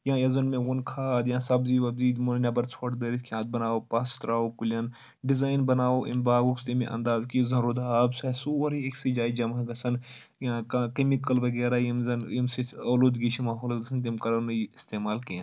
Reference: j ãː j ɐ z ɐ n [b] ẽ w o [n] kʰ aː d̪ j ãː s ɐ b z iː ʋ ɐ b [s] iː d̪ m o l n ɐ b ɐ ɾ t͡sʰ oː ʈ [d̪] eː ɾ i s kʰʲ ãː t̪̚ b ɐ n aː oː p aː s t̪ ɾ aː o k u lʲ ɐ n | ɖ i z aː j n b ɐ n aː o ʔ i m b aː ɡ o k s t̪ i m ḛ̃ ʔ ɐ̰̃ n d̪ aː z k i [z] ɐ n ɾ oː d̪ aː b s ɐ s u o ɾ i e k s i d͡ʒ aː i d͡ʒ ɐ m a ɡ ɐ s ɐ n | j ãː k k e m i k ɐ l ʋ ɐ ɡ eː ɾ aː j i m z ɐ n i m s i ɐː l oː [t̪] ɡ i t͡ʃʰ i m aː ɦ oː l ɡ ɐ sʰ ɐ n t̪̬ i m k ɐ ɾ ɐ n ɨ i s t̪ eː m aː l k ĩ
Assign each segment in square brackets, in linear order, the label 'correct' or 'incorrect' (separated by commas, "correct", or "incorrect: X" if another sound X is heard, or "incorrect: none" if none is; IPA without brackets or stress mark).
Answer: incorrect: m, correct, incorrect: z, correct, correct, incorrect: d̪